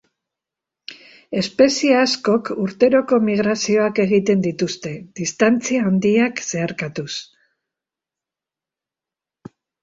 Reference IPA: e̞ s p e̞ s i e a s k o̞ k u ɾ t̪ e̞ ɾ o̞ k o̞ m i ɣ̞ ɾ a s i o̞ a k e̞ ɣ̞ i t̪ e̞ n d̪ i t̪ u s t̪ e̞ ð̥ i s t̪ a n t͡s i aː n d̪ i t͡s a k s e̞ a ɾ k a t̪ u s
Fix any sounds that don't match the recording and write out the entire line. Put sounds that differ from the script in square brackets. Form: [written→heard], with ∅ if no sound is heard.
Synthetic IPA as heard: e̞ s p e̞ s i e a s k o̞ k u ɾ t̪ e̞ ɾ o̞ k o̞ m i ɣ̞ ɾ a s i o̞ a k e̞ ɣ̞ i t̪ e̞ n d̪ i t̪ u s t̪ e̞ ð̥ i s t̪ a n t͡s i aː n d̪ i [t͡s→∅] a k s e̞ a ɾ k a t̪ u s